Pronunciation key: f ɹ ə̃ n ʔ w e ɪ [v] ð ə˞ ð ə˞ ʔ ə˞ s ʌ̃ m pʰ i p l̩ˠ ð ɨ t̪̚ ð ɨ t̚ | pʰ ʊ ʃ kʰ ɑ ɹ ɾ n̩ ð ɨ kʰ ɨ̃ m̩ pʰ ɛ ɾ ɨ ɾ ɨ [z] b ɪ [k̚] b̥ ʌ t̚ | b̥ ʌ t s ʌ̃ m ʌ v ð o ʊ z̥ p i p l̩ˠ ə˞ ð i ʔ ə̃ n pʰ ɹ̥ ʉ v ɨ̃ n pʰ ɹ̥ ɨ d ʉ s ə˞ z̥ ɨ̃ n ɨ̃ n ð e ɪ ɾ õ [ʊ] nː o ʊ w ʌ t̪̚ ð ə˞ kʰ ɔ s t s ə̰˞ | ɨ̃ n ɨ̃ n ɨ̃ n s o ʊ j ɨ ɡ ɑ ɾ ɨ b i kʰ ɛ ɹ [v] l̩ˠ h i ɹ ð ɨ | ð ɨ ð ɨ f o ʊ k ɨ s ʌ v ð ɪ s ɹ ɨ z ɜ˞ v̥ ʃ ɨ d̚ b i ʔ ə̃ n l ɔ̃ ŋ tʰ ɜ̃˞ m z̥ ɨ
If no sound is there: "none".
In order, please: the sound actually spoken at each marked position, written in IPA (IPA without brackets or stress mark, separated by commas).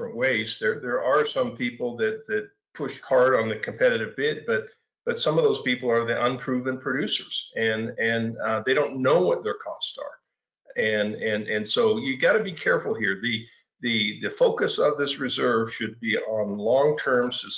z, v, t̚, ʊ̃, f